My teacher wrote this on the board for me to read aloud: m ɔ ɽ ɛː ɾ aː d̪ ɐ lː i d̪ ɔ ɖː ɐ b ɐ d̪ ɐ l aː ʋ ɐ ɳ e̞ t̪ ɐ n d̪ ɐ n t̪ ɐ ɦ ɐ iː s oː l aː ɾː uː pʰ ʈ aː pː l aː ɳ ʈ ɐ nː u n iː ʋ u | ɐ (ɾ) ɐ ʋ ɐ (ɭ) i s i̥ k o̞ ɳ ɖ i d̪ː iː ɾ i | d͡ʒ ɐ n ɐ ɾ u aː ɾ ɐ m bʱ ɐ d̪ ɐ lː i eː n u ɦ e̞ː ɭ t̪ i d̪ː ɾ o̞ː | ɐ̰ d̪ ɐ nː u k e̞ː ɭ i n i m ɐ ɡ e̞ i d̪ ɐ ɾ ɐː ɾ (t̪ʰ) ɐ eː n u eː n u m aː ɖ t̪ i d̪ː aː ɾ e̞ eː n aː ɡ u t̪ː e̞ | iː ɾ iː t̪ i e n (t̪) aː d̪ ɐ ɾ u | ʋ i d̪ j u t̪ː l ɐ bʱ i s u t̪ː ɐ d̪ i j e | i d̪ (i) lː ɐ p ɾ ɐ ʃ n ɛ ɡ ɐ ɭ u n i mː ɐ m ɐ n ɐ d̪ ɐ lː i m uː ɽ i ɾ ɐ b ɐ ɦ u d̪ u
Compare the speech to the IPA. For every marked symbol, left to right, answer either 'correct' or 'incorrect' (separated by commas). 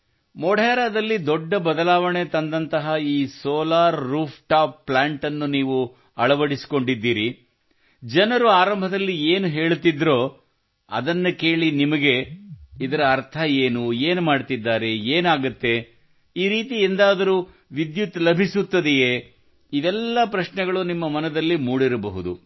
incorrect, incorrect, correct, incorrect, incorrect